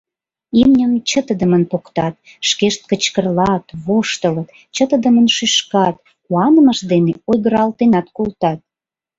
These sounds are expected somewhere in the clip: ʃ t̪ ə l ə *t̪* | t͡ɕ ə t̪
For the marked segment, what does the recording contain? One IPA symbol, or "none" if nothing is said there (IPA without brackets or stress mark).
t̪